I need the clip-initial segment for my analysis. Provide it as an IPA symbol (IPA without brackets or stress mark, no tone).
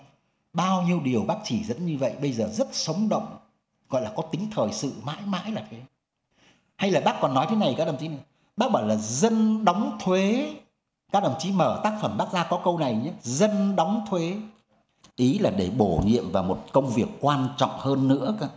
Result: ɓ